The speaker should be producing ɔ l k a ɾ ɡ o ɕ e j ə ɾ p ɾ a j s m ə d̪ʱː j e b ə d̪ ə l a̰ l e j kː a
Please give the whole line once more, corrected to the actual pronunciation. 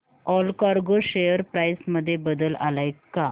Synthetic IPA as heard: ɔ l k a ɾ ɡ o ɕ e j ə ɾ p ɾ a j s m ə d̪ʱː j e b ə d̪ ə l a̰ l a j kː a